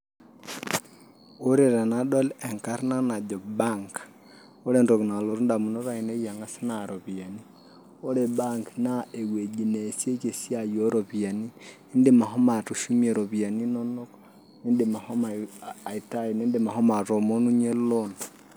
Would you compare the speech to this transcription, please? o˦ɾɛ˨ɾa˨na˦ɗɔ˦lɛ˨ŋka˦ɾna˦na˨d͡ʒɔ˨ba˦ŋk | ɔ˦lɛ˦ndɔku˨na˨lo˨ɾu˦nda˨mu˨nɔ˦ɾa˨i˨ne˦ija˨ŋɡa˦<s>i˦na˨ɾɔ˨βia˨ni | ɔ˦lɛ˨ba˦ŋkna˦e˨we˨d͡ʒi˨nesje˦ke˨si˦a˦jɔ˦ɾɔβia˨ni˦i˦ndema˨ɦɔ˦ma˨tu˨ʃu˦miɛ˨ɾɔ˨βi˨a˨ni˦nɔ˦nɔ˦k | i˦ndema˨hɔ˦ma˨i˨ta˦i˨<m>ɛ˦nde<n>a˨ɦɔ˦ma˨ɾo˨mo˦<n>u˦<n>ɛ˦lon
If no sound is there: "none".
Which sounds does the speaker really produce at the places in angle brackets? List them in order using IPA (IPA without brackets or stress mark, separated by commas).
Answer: s, n, m, n, ɲ